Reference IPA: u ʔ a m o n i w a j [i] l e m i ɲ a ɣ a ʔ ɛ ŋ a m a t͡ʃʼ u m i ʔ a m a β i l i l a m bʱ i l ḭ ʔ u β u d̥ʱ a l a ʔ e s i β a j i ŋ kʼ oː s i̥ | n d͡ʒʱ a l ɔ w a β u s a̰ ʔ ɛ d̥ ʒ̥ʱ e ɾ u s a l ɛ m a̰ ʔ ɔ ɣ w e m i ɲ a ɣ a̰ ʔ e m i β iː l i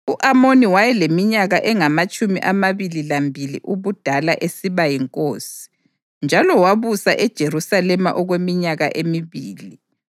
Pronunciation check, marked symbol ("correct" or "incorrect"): incorrect